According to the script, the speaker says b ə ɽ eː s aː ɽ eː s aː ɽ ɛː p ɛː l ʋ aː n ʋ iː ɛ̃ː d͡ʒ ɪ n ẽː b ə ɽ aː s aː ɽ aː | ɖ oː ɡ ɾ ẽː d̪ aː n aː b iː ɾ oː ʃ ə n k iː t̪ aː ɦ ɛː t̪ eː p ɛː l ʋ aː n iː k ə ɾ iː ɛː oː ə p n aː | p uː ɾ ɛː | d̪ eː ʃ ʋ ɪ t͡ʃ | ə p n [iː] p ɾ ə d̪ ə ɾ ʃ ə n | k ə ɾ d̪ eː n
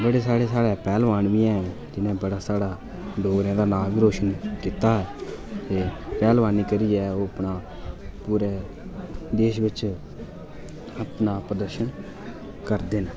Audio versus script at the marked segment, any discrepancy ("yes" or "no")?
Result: yes